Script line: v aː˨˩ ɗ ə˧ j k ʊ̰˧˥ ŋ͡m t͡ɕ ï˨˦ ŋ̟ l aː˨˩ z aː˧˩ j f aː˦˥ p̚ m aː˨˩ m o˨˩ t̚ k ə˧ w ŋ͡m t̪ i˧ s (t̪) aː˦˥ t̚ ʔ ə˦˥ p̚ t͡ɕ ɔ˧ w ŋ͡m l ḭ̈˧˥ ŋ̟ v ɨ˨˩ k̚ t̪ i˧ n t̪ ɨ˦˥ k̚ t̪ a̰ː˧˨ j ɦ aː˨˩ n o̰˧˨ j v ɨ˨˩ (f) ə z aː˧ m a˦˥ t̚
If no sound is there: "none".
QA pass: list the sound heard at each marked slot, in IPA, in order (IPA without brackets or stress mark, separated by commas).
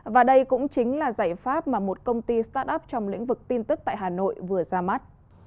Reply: t̪, none